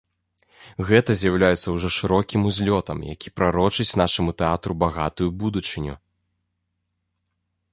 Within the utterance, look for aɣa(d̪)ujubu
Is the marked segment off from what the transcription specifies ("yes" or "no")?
yes